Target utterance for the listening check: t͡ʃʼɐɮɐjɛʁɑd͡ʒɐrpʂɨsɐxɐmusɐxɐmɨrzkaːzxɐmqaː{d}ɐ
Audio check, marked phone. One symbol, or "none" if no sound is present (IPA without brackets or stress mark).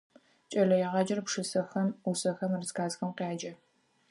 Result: d͡ʒ